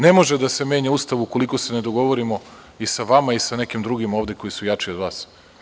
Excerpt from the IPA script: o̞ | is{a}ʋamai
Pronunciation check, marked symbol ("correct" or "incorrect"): correct